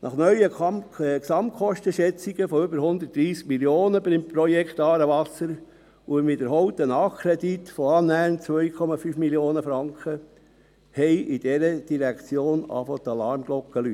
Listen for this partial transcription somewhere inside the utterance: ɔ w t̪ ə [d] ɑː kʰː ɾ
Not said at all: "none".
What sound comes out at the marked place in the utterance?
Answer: n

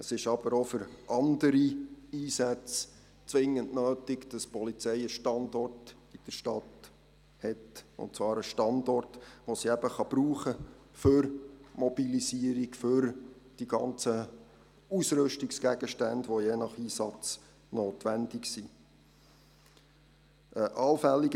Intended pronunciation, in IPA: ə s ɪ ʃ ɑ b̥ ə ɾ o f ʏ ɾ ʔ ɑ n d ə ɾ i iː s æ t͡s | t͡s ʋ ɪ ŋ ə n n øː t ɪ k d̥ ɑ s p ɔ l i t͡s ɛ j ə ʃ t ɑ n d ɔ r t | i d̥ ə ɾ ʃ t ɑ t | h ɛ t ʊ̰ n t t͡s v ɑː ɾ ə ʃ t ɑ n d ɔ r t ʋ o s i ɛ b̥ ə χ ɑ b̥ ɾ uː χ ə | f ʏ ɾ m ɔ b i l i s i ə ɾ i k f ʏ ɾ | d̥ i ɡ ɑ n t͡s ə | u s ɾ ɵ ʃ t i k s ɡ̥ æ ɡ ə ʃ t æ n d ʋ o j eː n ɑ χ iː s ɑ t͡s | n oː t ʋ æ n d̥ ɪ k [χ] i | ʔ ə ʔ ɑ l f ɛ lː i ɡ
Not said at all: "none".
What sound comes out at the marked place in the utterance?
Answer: s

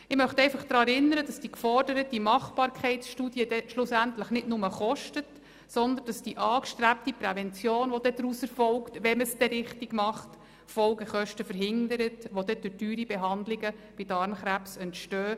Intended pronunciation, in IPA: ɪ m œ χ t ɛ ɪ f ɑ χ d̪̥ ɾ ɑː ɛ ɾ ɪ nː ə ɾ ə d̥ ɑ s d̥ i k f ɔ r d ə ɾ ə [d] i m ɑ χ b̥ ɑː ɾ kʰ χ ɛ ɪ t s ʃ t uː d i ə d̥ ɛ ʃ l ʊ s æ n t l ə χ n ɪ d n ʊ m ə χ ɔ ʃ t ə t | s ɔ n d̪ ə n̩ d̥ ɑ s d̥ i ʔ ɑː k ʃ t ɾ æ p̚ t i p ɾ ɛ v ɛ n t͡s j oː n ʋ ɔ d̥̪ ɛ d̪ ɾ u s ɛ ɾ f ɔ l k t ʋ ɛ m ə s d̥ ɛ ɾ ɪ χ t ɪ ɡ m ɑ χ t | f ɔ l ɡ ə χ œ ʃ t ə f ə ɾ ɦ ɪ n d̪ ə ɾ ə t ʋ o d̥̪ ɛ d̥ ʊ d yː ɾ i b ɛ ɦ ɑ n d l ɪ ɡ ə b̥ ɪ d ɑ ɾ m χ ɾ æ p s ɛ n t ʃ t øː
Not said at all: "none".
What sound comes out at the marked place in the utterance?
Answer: t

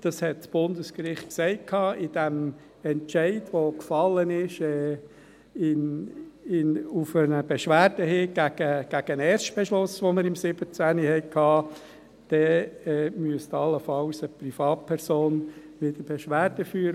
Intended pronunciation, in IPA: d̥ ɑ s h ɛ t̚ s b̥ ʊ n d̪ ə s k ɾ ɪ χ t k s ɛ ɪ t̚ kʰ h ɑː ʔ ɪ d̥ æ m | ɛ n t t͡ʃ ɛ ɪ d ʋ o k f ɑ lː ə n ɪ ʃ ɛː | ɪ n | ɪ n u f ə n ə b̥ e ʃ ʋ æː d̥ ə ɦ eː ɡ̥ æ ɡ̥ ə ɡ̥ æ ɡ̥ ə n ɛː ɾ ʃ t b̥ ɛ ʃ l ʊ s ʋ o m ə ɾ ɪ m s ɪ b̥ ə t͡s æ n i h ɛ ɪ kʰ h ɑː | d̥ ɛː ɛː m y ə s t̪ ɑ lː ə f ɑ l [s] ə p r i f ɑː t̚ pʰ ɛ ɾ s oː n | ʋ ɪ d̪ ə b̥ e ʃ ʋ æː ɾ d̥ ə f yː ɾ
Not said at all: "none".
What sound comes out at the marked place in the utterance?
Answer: s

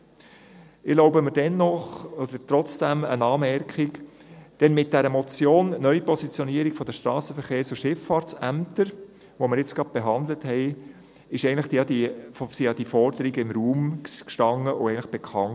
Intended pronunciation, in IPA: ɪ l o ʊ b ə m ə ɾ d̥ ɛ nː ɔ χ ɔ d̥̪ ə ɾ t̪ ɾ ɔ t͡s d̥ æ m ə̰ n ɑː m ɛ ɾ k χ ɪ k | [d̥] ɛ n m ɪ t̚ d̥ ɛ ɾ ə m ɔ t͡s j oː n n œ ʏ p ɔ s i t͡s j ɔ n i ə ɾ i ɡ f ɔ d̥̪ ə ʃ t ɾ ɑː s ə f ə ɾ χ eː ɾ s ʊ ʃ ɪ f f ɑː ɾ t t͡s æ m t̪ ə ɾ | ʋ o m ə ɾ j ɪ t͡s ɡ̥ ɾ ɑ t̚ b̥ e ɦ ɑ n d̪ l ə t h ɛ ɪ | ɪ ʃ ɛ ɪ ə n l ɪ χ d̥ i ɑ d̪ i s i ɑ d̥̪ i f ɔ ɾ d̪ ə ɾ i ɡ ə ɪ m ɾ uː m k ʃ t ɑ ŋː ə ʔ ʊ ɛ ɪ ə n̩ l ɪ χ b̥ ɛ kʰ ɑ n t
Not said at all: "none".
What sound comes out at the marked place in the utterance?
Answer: d̥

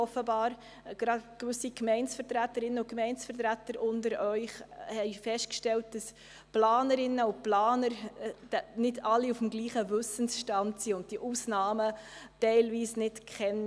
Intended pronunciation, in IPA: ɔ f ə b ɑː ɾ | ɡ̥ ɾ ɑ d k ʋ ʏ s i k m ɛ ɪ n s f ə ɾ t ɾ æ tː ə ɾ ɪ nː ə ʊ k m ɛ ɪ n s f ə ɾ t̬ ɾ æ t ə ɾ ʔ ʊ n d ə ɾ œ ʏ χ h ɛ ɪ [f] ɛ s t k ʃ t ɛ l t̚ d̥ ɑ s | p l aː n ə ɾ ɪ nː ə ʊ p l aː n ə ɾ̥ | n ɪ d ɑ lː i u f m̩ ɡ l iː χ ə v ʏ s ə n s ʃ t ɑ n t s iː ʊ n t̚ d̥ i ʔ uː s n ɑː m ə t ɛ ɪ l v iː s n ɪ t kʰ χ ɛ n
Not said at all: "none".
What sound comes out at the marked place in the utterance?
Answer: f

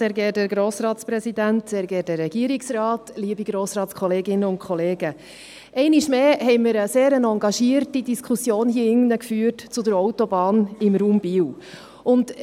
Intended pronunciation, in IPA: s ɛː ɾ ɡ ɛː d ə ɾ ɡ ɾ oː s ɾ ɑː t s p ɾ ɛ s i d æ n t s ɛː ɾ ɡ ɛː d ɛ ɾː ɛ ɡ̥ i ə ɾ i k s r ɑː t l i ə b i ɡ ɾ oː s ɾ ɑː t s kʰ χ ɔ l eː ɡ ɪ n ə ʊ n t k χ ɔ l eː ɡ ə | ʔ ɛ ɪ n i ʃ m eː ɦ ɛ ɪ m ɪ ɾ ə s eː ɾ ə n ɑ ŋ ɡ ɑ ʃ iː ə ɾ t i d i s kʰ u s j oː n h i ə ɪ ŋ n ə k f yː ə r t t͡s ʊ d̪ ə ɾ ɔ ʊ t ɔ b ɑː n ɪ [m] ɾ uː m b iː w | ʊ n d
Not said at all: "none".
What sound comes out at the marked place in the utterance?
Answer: m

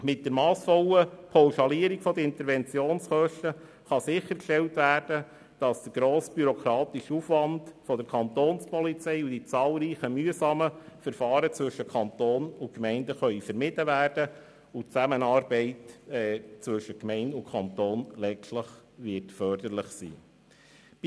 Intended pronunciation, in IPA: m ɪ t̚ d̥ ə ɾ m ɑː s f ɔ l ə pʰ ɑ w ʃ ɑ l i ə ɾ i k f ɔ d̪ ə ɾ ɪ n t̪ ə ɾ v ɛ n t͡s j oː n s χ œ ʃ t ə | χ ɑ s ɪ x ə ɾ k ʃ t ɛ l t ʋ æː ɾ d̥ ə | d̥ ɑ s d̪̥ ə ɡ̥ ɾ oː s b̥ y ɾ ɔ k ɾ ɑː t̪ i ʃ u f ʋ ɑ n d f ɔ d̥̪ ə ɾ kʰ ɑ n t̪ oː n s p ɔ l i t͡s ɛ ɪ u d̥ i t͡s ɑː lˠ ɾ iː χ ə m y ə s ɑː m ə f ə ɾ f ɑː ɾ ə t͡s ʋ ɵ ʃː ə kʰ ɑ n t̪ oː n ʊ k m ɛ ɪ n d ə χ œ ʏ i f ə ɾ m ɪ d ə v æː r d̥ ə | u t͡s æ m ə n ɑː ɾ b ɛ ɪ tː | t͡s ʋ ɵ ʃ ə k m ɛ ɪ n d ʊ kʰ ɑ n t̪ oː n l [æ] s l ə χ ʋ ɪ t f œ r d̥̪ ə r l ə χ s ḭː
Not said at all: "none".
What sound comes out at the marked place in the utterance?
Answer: ɛ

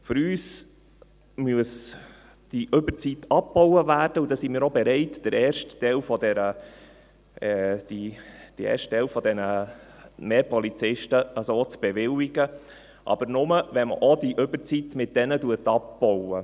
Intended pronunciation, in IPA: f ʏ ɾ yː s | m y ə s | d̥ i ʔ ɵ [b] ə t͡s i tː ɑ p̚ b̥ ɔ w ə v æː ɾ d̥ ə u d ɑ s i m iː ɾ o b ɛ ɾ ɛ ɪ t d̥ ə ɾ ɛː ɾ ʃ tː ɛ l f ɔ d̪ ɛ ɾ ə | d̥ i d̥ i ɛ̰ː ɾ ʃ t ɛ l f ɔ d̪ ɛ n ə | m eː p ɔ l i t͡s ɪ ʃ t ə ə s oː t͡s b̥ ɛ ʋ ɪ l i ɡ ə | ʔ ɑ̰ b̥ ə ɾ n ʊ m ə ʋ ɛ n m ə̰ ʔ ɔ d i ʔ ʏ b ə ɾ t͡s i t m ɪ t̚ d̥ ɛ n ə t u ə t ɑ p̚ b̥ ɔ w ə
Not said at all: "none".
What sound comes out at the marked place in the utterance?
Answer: b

